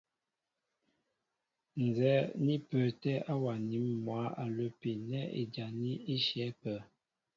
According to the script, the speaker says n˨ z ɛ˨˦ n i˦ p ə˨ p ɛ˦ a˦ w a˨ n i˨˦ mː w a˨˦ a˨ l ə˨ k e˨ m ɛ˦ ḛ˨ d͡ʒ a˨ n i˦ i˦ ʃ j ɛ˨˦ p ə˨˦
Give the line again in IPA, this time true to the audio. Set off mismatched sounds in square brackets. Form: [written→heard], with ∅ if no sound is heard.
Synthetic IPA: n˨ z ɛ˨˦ n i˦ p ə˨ [p→t] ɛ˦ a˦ w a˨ n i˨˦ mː w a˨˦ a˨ l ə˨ [k→p] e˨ [m→n] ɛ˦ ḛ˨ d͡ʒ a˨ n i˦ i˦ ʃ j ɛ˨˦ p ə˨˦